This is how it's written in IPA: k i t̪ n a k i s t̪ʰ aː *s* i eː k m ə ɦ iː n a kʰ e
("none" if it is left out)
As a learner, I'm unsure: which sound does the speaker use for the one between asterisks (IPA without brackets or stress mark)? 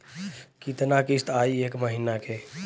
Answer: none